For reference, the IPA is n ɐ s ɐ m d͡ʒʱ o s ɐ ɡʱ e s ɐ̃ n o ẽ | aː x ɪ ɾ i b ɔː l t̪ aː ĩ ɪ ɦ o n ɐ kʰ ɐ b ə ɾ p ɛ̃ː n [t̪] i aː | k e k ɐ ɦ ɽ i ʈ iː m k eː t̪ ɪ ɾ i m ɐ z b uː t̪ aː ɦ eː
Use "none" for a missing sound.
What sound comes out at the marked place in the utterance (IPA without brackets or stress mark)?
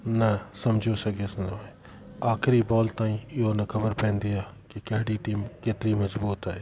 d̪